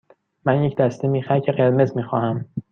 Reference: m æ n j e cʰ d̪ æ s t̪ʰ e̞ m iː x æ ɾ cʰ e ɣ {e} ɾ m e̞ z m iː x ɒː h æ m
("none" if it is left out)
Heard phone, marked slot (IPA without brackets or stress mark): e